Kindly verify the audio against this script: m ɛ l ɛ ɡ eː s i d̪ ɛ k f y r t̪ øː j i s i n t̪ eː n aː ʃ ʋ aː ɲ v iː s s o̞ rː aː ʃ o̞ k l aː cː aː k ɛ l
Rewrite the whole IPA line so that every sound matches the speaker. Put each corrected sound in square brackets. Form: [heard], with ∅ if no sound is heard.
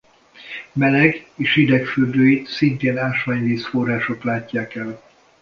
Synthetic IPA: m ɛ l ɛ ɡ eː [ʃ] i d̪ ɛ k f y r [d̪] øː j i s i n t̪ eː n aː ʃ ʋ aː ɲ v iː s [f] o̞ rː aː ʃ o̞ k l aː cː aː k ɛ l